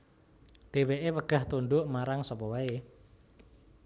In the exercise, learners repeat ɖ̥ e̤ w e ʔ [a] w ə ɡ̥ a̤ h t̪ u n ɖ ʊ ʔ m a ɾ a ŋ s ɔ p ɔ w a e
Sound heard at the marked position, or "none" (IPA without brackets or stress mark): e